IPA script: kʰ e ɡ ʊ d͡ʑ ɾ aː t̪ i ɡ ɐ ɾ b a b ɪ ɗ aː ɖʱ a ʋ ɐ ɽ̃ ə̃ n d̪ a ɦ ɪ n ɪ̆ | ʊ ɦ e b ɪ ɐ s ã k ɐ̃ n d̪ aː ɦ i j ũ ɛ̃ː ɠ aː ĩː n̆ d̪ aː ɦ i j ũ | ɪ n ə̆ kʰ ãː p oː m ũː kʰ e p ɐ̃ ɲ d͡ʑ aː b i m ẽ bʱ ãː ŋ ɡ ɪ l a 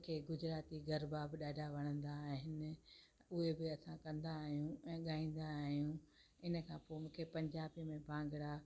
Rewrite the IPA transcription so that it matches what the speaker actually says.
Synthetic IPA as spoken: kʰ e ɡ ʊ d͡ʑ ɾ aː t̪ i ɡ ɐ ɾ b a b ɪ ɗ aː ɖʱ a ʋ ɐ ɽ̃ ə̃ n d̪ a ɦ ɪ n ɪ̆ | ʊ ɦ e b ɪ ɐ s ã k ɐ̃ n d̪ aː ɦ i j ũ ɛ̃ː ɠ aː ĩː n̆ d̪ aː ɦ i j ũ | ɪ n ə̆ kʰ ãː p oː m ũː kʰ e p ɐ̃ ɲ d͡ʑ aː b i m ẽ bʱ ãː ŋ ɡ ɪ ɽ a